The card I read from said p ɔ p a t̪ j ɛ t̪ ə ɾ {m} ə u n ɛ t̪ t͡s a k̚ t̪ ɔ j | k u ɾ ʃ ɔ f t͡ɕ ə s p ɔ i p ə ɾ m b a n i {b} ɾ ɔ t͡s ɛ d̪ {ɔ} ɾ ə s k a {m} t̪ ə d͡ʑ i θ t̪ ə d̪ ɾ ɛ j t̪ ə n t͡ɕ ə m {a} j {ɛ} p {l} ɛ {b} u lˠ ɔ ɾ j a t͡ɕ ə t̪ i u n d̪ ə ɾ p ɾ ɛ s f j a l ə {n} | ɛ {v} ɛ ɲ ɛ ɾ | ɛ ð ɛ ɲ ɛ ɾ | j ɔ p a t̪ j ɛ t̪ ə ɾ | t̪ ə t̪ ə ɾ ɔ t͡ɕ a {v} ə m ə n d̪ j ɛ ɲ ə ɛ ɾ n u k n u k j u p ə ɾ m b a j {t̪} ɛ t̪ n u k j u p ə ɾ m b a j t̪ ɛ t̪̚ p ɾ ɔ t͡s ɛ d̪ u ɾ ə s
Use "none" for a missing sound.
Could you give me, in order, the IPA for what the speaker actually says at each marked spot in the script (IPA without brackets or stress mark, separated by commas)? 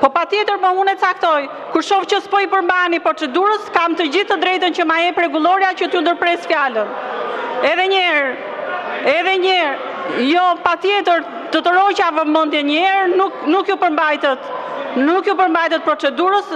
m, p, u, m, a, ɛ, ɾ, ɡ, n, ð, v, t̪